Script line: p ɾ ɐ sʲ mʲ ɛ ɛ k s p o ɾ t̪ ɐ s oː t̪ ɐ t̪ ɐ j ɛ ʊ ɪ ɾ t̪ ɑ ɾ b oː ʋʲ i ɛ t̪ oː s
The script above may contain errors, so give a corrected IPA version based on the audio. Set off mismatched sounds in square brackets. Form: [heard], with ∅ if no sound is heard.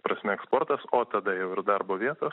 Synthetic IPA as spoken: p ɾ ɐ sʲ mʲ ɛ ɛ k s p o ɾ t̪ ɐ s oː t̪ ɐ [d̪] ɐ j ɛ ʊ ɪ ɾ [d̪] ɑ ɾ b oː ʋʲ i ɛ t̪ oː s